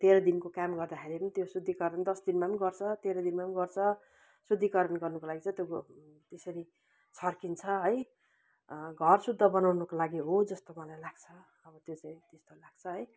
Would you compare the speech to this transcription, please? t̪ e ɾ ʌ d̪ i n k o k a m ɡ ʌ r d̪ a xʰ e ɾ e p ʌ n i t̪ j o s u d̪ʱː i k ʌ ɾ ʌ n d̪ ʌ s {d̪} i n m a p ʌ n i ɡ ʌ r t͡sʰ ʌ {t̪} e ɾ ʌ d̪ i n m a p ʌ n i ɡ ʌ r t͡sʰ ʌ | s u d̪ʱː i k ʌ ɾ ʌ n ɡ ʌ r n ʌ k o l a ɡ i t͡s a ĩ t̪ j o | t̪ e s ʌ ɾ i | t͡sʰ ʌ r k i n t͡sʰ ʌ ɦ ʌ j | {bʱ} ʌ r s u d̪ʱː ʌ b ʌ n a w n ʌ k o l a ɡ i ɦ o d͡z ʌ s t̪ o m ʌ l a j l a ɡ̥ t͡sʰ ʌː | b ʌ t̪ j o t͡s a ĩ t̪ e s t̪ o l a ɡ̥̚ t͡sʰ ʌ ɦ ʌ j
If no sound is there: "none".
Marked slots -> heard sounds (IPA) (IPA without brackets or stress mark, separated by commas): d̪, t̪, ɡʱ